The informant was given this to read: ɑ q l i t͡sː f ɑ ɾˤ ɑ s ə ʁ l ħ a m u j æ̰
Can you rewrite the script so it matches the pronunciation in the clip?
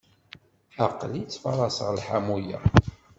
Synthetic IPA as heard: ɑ q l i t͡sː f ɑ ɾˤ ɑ s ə ʁ l ħ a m u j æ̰

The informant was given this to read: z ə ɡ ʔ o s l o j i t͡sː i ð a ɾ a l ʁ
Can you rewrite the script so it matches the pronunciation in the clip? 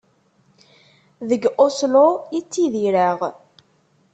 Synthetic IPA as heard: ð ə ɡ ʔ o s l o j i t͡sː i ð i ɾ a ʁ

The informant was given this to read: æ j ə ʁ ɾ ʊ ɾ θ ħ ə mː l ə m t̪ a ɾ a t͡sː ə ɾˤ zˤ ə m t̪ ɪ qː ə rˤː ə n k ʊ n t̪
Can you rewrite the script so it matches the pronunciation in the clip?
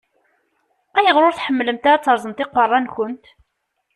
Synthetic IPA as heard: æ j ə ʁ ɾ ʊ ɾ θ ħ ə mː l ə m t̪ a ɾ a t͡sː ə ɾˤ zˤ ə m t̪ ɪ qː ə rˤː ɑ n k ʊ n t̪

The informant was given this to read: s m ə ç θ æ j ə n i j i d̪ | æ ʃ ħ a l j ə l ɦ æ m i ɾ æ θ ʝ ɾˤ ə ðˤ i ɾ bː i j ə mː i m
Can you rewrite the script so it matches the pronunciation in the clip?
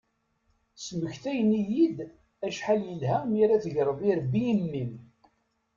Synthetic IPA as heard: s m ə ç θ æ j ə n i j i d̪ | æ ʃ ħ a l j ə l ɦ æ m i ɾ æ θ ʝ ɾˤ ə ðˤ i ɾ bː i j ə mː i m

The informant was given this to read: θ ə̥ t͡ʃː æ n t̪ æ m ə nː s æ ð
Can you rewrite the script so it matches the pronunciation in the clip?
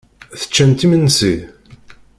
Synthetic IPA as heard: θ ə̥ t͡ʃː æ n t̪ i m ə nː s i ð

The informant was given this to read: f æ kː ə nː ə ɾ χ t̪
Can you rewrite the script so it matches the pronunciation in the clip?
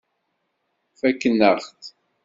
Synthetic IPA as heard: f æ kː ə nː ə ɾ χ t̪

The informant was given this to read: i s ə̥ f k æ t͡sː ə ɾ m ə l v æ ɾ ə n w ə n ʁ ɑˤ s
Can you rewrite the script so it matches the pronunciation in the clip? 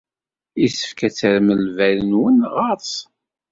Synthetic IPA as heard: i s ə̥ f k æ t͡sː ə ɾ m ə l v æ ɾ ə n w ə n ʁ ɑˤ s

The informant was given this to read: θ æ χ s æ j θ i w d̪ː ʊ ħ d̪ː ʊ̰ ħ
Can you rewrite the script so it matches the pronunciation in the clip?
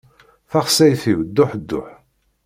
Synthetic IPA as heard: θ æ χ s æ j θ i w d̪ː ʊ ħ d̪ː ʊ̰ ħ

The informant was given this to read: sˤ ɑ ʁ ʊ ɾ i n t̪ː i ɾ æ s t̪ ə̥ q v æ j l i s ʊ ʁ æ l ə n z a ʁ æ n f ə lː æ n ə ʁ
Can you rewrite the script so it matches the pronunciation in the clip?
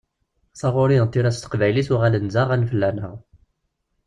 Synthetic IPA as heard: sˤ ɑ ʁ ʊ ɾ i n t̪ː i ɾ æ s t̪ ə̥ q v æ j l i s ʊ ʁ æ l ə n z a ʁ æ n f ə lː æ n ə ʁ

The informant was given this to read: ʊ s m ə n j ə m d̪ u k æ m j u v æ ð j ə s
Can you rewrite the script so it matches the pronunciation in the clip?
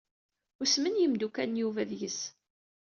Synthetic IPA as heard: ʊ s m ə n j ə m d̪ u k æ n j u v æ ð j ə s

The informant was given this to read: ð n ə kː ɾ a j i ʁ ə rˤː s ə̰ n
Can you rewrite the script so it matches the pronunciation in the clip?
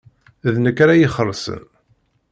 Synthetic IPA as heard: ð n ə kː ɾ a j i χ ə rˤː s ə̰ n

